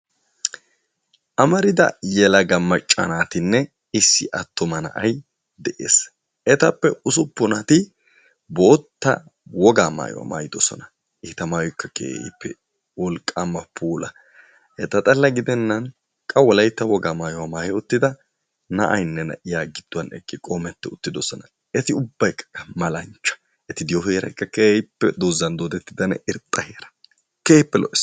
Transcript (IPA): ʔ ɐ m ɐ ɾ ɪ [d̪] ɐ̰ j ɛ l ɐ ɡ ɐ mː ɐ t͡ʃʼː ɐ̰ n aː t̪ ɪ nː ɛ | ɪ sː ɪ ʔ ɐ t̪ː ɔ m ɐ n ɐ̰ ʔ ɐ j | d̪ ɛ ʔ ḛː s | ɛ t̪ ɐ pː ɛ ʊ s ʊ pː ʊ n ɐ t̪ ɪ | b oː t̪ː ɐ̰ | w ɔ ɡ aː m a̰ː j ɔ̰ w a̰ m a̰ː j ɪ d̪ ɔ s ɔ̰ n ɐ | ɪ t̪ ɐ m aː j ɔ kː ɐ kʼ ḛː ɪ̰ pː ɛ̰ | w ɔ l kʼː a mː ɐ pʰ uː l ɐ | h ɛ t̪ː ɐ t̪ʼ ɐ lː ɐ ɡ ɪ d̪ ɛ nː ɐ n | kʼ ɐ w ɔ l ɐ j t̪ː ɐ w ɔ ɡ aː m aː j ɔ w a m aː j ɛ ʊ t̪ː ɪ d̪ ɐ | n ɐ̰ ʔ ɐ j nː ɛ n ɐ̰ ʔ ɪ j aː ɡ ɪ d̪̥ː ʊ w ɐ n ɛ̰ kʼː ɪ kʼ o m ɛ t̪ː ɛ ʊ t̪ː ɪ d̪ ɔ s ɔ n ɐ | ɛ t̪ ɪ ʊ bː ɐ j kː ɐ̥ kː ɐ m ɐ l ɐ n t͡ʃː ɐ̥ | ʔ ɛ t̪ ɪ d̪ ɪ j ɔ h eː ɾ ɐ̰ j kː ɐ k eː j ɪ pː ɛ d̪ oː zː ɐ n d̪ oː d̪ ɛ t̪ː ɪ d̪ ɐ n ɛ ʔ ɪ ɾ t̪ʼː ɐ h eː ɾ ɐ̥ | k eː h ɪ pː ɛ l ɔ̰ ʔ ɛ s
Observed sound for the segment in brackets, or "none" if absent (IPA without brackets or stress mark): d̪